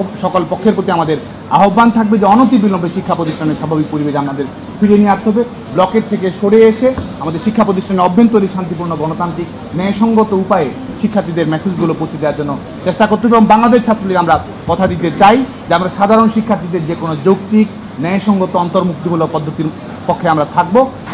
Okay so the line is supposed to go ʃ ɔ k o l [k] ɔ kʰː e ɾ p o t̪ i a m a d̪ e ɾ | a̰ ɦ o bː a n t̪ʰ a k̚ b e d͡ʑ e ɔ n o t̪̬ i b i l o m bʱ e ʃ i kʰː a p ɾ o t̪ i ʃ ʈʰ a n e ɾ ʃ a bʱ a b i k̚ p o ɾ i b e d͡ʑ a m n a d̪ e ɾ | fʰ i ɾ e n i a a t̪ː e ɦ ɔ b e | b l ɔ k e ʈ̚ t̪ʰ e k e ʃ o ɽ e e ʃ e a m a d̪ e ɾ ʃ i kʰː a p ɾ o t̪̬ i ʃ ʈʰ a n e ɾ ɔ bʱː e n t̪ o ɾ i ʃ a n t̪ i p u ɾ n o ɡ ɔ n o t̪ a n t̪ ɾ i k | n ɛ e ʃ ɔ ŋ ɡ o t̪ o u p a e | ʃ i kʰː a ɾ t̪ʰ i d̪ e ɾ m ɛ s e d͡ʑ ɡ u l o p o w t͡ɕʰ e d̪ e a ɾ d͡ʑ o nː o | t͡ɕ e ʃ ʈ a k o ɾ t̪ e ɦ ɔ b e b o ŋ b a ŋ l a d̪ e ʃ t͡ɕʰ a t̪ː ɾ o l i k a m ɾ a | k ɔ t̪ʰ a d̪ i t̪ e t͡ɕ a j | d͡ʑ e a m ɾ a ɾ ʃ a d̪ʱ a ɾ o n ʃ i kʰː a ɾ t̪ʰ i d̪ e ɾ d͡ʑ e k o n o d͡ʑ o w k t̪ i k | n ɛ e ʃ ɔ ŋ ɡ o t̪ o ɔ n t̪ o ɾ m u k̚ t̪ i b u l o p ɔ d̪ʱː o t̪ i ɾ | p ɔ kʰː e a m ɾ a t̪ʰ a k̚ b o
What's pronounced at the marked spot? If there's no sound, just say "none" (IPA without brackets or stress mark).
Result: p